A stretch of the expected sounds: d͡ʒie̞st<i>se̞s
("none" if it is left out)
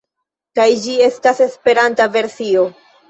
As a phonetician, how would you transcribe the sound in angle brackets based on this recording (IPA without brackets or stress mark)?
a